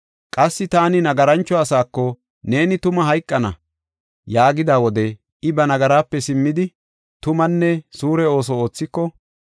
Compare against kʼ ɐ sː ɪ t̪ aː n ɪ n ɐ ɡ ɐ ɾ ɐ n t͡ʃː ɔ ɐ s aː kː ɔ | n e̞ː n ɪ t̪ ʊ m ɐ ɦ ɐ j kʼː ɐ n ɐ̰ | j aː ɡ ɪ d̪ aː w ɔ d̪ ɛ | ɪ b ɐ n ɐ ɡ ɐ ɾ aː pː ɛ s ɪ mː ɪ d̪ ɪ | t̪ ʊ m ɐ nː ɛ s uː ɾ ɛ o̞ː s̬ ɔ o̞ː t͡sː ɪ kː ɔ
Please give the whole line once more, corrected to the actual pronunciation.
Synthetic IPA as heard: kʼ ɐ sː ɪ t̪ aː n ɪ n ɐ ɡ ɐ ɾ ɐ n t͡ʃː ɔ ɐ s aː kː ɔ | n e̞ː n ɪ t̪ ʊ m ɐ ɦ ɐ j kʼː ɐ n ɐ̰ | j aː ɡ ɪ d̪ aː w ɔ d̪ ɛ | ɪ b ɐ n ɐ ɡ ɐ ɾ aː pː ɛ s ɪ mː ɪ d̪ ɪ | t̪ ʊ m ɐ nː ɛ s uː ɾ ɛ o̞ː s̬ ɔ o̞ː t͡sː ɪ kː ɔ